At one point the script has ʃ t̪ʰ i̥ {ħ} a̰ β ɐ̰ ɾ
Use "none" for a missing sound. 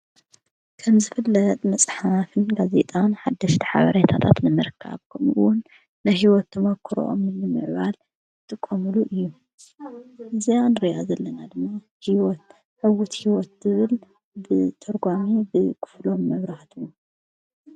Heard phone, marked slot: ħ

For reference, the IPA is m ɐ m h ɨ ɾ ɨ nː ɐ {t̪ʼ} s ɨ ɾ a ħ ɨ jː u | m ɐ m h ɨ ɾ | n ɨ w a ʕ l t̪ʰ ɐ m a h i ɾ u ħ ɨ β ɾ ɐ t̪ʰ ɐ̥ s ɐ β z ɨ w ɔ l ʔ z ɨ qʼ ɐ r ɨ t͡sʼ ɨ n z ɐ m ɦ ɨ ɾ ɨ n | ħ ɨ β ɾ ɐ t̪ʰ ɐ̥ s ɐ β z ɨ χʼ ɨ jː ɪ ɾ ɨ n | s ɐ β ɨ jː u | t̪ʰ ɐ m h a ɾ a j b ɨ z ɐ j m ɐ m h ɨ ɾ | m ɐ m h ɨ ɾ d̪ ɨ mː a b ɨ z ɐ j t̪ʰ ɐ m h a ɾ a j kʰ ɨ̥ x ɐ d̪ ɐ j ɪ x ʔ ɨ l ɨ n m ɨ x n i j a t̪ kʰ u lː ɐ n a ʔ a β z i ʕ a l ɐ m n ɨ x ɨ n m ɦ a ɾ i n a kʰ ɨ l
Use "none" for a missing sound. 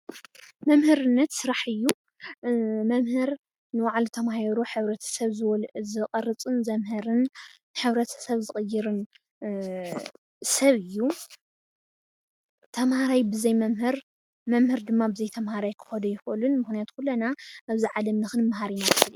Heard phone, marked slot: t̪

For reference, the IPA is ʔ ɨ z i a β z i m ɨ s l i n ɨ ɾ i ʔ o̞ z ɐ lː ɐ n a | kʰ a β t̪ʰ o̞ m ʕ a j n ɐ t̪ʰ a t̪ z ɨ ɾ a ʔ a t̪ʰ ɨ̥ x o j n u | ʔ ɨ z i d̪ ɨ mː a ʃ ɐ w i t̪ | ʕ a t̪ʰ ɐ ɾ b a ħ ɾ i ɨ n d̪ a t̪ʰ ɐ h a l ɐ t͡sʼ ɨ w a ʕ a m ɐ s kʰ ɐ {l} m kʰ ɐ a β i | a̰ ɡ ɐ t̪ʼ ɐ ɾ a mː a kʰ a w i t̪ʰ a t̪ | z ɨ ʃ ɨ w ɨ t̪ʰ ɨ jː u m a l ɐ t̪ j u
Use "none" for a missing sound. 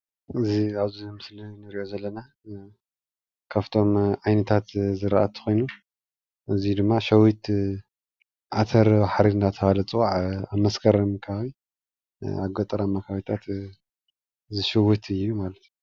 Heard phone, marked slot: ɾ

